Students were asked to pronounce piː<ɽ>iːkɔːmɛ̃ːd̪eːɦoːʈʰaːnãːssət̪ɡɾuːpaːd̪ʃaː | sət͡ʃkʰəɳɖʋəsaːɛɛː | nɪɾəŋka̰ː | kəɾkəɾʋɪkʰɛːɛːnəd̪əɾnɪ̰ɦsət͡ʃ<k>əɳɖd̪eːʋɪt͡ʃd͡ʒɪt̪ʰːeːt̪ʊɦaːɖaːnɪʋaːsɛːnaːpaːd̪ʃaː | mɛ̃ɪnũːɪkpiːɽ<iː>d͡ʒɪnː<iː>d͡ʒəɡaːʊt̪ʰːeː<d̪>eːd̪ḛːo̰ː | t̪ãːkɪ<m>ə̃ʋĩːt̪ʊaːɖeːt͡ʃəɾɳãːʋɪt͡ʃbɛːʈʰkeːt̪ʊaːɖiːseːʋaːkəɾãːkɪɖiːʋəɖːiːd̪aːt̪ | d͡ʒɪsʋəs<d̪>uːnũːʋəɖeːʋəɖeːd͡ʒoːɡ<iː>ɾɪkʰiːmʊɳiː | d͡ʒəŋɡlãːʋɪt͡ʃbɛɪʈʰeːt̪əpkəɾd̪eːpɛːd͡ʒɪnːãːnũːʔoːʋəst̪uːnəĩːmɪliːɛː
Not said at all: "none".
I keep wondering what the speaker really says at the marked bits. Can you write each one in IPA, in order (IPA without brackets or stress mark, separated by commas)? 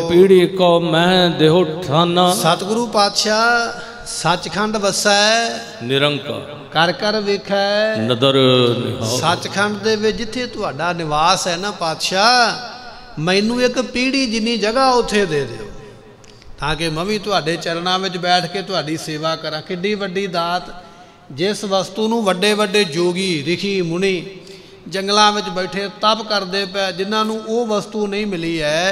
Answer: ɽ, kʰ, iː, iː, d̪, m, t̪, iː